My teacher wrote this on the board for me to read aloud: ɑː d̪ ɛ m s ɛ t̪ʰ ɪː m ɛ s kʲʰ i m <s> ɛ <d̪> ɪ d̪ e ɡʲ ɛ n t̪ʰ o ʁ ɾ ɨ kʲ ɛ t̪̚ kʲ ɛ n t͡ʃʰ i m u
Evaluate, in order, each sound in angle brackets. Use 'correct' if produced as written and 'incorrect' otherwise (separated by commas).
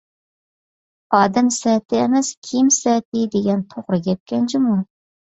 correct, incorrect